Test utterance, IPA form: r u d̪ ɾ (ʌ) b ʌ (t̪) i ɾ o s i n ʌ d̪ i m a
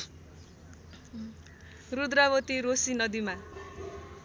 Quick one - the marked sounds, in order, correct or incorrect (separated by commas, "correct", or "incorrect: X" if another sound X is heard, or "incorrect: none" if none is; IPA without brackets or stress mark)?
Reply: incorrect: a, correct